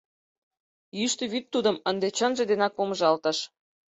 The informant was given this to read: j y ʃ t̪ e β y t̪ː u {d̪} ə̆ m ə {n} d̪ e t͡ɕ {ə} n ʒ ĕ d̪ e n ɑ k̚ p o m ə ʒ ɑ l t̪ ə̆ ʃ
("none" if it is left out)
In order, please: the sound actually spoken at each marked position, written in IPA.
d̪, n, ə

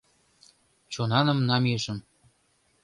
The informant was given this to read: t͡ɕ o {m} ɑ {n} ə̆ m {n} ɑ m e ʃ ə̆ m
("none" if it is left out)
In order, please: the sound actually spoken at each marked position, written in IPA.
n, n, n

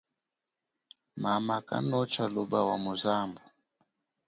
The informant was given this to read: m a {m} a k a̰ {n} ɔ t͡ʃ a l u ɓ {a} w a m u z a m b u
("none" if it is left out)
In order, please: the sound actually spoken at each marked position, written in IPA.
m, n, a

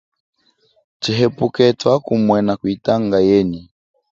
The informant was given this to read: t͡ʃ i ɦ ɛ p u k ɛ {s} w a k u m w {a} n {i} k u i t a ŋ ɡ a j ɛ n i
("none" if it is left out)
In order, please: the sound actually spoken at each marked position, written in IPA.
t, ɛ, a

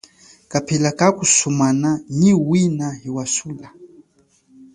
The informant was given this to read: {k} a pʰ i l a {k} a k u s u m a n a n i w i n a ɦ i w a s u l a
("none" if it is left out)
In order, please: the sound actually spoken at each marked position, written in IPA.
k, k

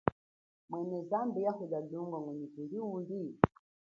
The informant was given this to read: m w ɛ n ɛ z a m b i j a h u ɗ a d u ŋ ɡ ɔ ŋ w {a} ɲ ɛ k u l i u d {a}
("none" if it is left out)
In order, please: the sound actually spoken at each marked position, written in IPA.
ɛ, i

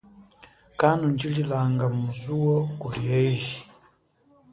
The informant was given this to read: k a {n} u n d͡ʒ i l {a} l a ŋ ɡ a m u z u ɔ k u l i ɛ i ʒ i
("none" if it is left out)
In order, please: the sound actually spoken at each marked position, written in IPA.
n, i

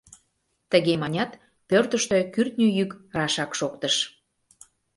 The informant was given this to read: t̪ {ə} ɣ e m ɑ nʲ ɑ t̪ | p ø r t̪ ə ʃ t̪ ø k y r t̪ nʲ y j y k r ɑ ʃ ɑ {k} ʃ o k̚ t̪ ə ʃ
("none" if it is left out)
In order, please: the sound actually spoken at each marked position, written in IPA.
ə, k

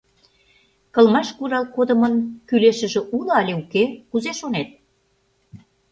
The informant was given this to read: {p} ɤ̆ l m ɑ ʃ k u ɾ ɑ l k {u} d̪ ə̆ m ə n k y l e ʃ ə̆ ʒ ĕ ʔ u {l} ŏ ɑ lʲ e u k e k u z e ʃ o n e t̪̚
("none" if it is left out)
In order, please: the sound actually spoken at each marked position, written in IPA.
k, o, l

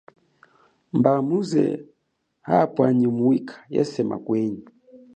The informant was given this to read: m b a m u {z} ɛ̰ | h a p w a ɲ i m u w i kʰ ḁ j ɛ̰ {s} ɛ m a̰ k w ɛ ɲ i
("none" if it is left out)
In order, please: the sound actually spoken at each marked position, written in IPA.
z, s

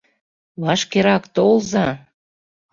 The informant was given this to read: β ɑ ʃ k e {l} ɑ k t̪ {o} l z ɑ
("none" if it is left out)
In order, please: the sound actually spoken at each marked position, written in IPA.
ɾ, o

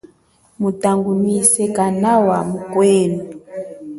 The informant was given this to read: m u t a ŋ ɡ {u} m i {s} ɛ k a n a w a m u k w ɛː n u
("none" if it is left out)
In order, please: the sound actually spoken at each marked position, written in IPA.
u, s

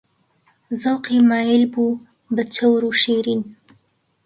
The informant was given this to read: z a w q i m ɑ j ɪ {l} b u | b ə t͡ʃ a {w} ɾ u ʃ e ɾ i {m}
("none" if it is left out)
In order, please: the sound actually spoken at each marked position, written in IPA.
l, w, n

